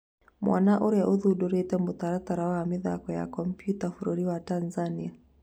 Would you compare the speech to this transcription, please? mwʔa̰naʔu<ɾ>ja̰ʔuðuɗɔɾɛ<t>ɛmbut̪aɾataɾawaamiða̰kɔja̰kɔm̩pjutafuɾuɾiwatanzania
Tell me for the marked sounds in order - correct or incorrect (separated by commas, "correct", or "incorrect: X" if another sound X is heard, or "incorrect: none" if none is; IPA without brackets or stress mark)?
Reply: correct, correct